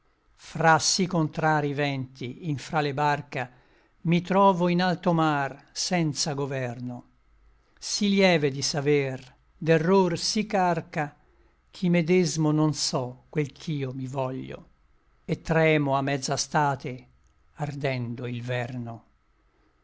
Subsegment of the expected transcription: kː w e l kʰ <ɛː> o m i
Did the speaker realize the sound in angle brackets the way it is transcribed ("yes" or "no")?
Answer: no